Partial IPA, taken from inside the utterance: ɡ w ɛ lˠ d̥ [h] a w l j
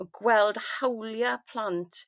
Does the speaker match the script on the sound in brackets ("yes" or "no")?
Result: yes